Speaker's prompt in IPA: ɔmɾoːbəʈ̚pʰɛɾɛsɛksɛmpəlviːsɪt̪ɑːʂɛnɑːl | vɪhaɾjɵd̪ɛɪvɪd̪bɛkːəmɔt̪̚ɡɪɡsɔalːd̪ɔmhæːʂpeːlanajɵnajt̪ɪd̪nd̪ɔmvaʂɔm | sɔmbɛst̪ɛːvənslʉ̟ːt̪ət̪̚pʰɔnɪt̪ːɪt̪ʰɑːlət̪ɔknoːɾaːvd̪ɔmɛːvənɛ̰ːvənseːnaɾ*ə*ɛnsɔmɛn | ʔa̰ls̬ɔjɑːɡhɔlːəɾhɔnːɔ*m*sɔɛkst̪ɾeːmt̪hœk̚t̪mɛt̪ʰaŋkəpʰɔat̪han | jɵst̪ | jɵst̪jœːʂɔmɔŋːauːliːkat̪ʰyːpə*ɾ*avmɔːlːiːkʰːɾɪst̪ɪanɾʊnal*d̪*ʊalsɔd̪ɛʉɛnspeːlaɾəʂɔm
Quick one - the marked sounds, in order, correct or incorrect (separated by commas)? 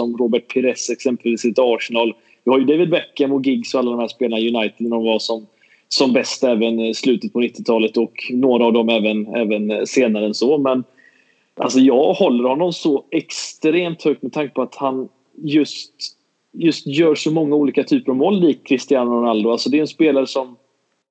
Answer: correct, correct, correct, correct